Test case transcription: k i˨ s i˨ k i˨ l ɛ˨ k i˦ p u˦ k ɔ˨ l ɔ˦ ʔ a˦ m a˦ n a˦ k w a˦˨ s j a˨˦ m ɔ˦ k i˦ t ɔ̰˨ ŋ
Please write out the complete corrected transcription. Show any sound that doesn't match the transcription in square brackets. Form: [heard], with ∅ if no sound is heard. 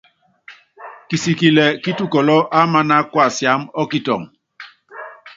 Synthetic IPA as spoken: k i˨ s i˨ k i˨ l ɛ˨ k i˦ [t] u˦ k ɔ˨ l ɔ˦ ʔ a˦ m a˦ n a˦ k w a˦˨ s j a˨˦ m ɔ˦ k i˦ t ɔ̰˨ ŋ